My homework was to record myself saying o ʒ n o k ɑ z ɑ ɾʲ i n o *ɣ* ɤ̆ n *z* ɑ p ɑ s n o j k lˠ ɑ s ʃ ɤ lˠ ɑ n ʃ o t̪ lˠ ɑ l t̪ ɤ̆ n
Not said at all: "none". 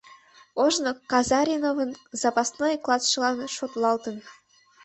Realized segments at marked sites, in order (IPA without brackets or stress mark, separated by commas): v, z